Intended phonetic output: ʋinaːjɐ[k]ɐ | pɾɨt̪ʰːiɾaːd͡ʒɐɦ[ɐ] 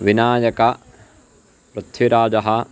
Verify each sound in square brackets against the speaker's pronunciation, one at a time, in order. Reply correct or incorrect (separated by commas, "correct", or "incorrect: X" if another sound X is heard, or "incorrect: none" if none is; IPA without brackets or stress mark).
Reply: correct, correct